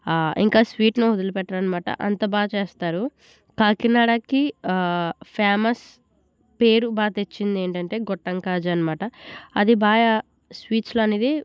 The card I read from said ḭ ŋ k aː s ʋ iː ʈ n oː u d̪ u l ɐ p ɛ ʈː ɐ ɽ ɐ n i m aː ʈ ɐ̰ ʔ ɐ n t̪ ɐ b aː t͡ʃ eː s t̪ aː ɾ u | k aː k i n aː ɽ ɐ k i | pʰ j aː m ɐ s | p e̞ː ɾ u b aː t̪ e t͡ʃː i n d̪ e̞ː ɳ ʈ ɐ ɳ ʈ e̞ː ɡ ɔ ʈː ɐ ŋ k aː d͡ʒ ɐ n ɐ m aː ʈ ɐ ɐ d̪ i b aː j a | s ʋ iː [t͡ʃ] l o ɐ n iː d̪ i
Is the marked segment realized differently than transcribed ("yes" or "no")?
no